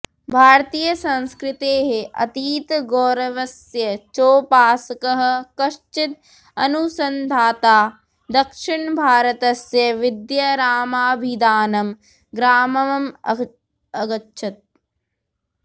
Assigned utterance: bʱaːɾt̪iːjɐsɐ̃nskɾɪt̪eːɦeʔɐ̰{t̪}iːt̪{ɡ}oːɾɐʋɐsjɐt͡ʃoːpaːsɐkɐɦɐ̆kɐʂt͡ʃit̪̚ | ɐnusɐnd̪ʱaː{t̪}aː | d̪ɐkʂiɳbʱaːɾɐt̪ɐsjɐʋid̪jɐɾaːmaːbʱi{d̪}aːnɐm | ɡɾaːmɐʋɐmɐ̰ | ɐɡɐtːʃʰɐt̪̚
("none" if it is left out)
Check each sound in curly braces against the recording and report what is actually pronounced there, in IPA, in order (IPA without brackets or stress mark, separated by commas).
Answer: t̪, ɡ, t̪, d̪